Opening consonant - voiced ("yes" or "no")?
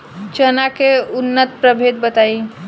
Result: no